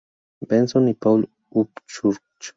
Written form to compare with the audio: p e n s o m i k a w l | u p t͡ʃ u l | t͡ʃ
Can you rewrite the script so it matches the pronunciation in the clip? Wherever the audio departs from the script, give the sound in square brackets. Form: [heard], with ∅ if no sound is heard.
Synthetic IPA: [b] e n s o [n] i [p] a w l | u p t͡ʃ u [ɾ] | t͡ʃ